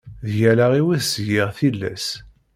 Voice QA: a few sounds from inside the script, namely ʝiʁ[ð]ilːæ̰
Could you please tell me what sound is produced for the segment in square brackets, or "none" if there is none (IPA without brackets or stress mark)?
θ